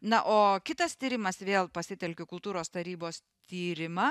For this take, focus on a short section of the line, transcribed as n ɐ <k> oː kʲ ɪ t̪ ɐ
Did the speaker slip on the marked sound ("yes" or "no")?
yes